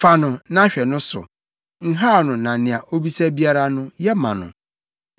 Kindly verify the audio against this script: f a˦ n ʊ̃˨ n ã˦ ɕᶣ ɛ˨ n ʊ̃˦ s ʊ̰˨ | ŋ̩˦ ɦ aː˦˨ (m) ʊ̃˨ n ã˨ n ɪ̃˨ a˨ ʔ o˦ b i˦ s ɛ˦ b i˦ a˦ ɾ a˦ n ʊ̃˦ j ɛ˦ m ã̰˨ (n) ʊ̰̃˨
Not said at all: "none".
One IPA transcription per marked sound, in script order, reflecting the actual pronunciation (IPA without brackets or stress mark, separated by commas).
n, n